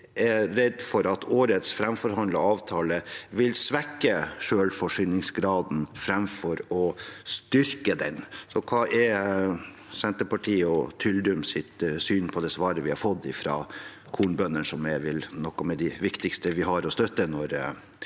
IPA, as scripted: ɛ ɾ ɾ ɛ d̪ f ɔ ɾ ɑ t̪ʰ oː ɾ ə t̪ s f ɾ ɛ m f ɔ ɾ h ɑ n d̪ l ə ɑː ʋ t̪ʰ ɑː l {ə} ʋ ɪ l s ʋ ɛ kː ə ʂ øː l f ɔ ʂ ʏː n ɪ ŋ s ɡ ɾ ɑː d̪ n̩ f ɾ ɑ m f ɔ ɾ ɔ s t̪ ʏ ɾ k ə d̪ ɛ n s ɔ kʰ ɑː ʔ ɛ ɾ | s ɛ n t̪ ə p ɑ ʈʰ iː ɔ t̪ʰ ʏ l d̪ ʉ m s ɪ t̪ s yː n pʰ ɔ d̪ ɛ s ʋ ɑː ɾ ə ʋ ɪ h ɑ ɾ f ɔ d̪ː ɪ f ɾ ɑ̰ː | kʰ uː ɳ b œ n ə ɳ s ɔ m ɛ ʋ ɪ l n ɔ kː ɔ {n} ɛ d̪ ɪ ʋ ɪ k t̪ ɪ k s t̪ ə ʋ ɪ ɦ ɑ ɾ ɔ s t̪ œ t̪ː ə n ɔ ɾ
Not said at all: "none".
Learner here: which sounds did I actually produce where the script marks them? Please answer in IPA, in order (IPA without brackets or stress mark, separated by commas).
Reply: ə, m